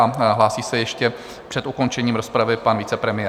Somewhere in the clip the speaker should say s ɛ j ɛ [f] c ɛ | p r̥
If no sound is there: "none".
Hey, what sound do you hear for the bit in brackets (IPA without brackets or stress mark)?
ʃ